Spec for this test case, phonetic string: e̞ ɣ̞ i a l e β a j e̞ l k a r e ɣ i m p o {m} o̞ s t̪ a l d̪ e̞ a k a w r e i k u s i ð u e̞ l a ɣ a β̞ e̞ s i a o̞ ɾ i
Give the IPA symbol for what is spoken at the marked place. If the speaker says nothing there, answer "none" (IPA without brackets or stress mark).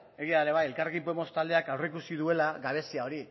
m